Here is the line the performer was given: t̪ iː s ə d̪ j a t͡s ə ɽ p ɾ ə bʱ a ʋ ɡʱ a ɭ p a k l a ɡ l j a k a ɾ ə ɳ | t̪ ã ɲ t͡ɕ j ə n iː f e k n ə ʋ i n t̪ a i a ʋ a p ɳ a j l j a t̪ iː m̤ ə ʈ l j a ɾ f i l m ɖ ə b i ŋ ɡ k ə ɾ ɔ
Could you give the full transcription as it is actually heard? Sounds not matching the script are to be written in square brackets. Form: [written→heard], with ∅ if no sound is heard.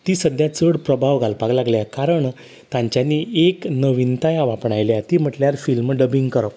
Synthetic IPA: t̪ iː s ə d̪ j a t͡s ə ɽ p ɾ ə bʱ a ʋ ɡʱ a [ɭ→l] p a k l a ɡ l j a k a ɾ ə ɳ | t̪ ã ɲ t͡ɕ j [ə→a] n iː [f→∅] e k n ə ʋ i n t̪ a [i→j] a ʋ a p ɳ a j l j a t̪ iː m̤ ə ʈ l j a ɾ f i l m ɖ ə b i ŋ ɡ k ə ɾ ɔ